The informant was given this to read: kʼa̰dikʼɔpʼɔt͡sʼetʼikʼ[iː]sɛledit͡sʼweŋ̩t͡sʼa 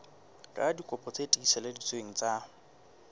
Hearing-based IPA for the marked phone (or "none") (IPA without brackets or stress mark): i